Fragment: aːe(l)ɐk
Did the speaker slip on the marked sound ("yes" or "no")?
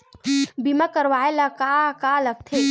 no